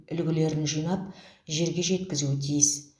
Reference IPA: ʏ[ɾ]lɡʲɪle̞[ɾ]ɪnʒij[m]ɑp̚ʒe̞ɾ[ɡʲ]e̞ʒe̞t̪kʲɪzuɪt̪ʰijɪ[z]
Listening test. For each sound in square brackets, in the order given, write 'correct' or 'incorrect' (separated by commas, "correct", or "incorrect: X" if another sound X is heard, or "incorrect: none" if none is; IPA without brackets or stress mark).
incorrect: none, correct, incorrect: n, correct, incorrect: s